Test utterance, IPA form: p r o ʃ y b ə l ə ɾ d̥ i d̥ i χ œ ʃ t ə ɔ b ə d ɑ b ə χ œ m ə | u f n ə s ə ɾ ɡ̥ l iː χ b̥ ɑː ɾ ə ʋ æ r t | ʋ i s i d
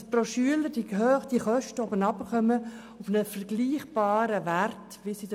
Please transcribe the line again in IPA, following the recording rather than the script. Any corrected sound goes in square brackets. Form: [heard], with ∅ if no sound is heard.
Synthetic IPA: p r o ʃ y [∅] ə l ə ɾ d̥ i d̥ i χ œ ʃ t ə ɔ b ə [n] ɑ b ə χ œ m ə | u f n ə [f] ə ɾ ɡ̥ l iː χ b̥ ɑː ɾ ə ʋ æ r t | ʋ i s i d